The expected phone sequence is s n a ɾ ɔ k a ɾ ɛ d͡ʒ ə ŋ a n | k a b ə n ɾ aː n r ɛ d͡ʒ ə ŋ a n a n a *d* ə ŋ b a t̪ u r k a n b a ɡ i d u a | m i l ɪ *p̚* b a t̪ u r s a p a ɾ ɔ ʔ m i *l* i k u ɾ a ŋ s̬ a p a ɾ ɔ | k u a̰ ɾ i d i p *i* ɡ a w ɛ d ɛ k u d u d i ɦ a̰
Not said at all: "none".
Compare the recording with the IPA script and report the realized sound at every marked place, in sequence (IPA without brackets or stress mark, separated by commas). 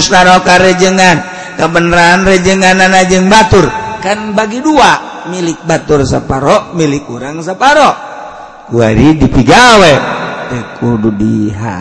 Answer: d͡ʒ, k̚, l, i